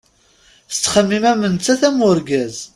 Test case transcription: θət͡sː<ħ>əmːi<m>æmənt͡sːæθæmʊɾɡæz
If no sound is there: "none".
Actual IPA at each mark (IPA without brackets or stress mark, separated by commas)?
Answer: χ, m